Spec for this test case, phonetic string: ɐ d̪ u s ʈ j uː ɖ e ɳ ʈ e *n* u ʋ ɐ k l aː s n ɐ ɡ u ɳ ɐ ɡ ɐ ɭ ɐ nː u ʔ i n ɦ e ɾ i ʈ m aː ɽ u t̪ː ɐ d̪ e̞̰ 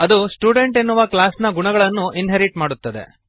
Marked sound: incorrect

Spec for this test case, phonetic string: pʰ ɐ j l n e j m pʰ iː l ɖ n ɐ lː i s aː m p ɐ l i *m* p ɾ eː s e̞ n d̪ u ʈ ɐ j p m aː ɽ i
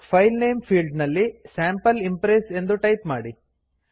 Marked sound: correct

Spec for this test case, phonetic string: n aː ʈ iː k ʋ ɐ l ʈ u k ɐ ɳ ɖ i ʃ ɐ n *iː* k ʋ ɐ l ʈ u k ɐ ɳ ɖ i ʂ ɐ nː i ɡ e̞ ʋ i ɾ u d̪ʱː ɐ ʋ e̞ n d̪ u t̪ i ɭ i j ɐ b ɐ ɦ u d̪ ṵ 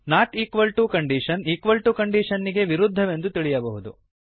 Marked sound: correct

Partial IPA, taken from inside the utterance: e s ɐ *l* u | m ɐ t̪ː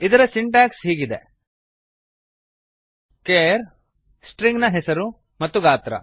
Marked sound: incorrect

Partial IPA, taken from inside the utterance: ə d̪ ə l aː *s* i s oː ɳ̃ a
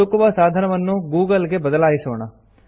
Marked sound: incorrect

